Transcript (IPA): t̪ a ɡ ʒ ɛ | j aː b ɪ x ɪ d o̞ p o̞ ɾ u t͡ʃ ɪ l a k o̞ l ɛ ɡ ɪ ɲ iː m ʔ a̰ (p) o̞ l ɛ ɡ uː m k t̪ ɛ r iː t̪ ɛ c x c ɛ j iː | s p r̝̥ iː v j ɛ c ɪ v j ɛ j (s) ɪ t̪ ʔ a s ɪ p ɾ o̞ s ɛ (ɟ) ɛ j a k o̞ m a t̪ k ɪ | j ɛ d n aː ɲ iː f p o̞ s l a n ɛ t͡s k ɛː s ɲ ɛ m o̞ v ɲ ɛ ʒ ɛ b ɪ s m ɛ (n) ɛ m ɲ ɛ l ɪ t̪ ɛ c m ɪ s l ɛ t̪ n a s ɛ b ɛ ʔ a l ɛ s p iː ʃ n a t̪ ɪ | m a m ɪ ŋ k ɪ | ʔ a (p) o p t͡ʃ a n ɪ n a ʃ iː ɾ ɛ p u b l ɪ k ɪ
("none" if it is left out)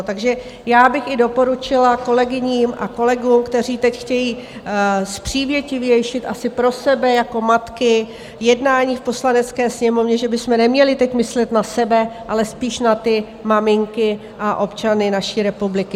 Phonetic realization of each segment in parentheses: k, ʃ, b, n, ʔ

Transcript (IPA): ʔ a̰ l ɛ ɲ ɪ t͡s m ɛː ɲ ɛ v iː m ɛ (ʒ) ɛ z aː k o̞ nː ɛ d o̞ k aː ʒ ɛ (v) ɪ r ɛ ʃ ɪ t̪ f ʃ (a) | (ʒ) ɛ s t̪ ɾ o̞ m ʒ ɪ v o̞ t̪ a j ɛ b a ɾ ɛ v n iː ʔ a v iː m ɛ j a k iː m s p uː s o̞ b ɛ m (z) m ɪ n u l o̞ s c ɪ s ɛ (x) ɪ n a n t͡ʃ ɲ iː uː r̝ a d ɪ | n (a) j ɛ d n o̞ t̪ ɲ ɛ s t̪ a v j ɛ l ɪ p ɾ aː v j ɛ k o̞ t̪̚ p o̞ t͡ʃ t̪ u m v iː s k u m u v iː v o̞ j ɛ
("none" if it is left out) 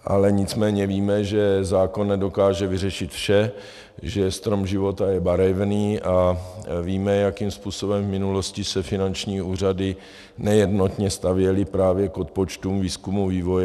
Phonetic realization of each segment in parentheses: ʒ, v, ɛ, ʒ, v, f, ɛ

